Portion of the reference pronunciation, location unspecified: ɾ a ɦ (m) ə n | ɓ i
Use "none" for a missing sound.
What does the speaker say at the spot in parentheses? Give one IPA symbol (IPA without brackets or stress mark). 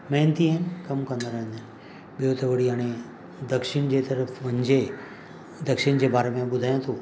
n